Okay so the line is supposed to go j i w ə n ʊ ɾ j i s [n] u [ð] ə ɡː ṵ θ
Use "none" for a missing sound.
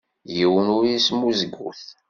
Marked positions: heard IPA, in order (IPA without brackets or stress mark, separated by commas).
m, z